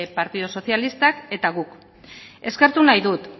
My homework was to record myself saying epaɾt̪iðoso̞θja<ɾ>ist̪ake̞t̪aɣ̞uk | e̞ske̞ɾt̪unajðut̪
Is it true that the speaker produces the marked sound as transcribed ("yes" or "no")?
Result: no